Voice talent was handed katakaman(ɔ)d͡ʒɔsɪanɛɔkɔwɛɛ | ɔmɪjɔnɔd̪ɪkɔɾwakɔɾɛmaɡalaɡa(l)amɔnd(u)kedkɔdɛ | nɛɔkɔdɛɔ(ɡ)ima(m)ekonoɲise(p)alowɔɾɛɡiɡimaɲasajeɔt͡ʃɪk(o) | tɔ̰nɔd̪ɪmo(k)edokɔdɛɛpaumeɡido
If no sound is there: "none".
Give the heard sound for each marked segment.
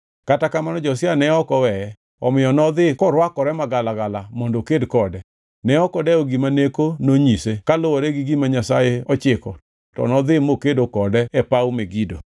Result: ɔ, l, o, ɡ, n, k, ɔ, k

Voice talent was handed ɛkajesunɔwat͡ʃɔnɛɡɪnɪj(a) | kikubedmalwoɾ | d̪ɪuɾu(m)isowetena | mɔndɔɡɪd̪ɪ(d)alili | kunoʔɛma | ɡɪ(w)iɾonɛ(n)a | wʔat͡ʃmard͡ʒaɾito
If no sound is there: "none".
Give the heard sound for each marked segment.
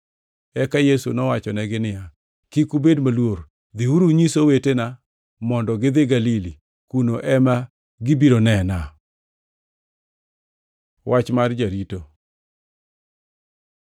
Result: a, ɲ, ɡ, b, n

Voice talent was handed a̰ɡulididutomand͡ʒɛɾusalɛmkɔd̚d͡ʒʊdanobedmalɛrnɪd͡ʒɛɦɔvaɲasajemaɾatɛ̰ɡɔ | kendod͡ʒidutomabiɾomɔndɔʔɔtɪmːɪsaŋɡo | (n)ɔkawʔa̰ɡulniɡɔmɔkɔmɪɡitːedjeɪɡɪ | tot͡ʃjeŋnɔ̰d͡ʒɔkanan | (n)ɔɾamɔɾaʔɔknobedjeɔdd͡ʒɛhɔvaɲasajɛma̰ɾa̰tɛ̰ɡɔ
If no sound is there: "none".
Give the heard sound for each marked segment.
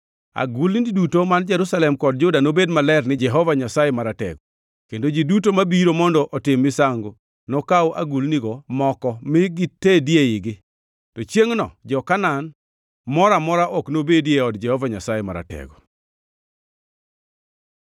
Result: n, m

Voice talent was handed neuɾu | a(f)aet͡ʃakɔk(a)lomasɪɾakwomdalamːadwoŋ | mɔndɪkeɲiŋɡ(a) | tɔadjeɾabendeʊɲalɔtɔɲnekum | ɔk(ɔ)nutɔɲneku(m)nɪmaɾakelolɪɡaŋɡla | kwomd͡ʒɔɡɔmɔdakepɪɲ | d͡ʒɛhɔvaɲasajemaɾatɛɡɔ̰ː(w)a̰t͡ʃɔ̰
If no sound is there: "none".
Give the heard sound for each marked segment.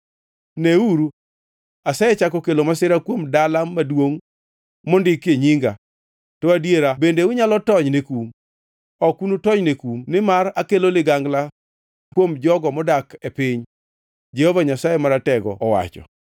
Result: s, e, a, u, m, w

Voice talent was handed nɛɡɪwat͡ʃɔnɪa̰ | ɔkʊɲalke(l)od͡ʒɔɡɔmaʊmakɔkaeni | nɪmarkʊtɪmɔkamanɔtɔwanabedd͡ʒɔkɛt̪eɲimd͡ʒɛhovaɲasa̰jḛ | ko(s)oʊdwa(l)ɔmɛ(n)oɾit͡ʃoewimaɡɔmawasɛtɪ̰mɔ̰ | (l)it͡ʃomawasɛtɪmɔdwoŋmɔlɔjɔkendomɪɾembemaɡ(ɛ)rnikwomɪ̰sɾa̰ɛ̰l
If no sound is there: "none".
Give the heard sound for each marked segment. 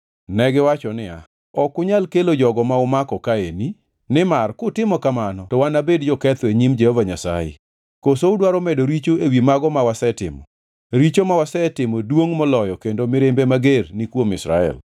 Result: l, s, ɾ, d, ɾ, e

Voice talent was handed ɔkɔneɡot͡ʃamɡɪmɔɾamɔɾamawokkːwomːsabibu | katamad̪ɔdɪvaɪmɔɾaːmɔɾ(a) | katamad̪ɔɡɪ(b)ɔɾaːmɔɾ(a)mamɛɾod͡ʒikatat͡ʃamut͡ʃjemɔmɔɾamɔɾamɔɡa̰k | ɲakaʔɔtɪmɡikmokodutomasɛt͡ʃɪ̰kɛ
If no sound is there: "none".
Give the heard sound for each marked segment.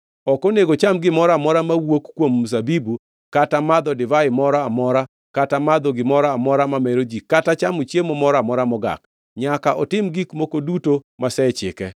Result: a, m, a

